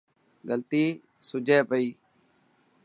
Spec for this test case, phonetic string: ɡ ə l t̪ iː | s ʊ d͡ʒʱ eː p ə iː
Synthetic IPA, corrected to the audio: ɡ ə l t̪ iː | s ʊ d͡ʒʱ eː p ə iː